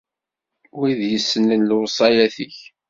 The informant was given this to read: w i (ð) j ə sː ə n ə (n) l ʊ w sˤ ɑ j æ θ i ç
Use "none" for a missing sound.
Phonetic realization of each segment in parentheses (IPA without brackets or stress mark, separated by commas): ð, n